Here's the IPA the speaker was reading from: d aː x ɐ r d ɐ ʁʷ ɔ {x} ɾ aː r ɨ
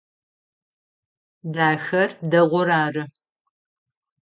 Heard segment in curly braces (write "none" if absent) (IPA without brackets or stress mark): none